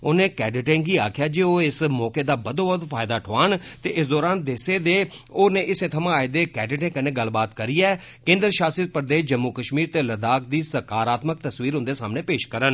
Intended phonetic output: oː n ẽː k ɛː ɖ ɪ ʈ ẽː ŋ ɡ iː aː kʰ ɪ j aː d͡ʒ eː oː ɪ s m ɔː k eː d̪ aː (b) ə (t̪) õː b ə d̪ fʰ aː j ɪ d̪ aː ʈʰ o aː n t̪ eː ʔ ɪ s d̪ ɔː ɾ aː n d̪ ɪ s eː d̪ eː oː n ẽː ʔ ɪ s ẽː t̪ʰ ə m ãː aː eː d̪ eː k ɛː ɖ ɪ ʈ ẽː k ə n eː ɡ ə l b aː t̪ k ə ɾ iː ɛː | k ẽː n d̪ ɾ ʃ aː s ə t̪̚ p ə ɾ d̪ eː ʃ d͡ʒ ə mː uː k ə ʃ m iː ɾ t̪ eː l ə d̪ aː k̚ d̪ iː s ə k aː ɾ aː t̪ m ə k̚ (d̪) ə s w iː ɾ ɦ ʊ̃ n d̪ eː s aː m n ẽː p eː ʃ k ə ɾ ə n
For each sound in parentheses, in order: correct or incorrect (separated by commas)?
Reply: correct, incorrect, incorrect